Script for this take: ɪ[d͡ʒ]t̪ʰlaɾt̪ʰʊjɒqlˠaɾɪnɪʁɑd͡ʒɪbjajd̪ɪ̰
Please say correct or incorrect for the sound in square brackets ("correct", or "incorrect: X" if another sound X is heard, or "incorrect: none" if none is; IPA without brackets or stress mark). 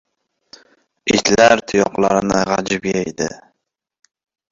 incorrect: none